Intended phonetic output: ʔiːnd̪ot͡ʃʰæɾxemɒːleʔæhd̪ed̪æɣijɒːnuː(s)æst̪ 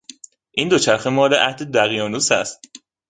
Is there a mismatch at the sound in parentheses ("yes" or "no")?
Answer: no